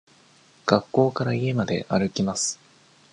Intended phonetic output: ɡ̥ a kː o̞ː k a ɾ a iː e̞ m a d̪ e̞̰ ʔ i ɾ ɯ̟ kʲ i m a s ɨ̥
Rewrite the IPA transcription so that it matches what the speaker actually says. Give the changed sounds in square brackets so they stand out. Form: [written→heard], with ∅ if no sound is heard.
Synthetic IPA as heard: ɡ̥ a kː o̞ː k a ɾ a [iː→i] e̞ m a d̪ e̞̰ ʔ [i→a] ɾ ɯ̟ kʲ i m a s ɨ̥